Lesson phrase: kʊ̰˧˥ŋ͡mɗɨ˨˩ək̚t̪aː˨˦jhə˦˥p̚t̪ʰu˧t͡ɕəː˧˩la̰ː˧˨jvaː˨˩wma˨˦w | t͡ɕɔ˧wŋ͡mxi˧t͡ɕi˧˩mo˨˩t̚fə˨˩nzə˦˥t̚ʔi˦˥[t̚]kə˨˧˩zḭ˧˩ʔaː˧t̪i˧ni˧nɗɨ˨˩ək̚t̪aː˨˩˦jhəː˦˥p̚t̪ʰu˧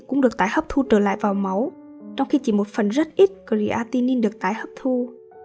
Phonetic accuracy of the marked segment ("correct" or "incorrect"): correct